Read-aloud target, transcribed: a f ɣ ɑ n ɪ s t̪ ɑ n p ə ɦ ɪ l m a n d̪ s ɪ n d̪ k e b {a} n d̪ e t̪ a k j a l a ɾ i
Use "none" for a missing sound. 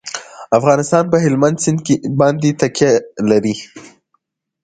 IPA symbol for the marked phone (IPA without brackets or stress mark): ɑ